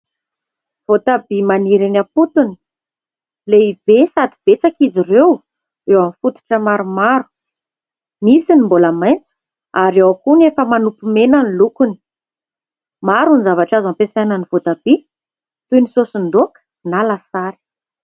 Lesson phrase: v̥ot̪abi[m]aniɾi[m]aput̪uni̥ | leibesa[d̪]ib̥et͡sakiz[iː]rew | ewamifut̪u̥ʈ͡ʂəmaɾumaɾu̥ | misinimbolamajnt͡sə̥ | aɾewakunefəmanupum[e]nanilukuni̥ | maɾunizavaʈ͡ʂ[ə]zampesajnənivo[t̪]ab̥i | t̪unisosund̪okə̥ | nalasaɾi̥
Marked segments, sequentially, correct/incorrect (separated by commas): correct, incorrect, correct, incorrect, correct, incorrect, correct